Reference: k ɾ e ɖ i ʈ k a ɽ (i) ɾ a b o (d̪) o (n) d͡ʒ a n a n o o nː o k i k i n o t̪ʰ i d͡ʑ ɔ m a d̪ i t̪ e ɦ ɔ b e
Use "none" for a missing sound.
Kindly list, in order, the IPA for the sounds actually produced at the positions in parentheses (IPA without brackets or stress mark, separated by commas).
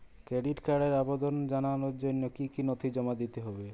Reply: e, d̪, n